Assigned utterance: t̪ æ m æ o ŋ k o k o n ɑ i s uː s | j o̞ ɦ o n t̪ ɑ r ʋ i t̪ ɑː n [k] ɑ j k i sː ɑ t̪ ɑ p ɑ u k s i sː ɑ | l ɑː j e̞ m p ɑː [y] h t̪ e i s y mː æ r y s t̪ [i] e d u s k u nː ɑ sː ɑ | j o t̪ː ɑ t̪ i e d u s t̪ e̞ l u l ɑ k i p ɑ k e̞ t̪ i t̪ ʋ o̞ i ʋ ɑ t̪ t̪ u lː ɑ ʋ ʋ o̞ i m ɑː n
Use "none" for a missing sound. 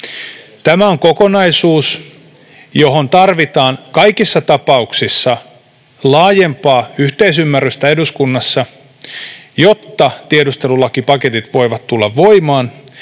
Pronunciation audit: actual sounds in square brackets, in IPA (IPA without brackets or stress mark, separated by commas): k, y, æ